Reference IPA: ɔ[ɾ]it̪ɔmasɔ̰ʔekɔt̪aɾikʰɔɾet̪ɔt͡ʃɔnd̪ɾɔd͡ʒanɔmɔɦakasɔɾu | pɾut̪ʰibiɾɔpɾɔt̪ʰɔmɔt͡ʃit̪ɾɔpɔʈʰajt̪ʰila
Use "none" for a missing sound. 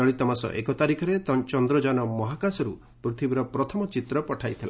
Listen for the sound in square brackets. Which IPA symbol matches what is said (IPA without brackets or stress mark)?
ɭ